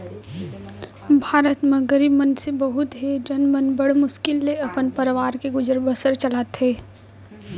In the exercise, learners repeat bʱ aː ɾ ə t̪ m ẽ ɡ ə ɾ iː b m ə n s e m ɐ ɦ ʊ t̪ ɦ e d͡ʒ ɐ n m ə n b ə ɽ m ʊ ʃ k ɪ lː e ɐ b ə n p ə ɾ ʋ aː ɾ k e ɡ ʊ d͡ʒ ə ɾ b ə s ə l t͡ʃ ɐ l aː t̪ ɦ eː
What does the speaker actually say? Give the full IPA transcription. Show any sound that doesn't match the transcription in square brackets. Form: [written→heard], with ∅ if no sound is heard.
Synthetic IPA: bʱ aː ɾ ə t̪ m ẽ ɡ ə ɾ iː b m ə n s e [m→b] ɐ ɦ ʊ t̪ ɦ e d͡ʒ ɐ n m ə n b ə ɽ m ʊ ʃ k ɪ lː e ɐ [b→p] ə n p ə ɾ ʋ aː ɾ k e ɡ ʊ d͡ʒ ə ɾ b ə s ə [l→ɾ] t͡ʃ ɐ l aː t̪ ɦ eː